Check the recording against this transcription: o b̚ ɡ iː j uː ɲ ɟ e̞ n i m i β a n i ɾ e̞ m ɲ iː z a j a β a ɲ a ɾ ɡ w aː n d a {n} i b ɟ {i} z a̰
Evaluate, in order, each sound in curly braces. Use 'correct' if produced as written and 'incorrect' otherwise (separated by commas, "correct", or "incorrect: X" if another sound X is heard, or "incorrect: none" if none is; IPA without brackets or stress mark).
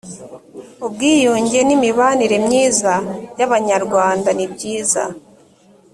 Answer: correct, incorrect: iː